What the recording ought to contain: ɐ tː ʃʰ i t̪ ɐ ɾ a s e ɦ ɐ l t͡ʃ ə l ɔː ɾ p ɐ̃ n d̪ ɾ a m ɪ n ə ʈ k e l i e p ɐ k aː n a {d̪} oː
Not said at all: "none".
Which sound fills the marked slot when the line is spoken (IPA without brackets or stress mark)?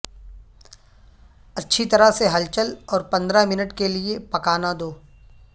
d̪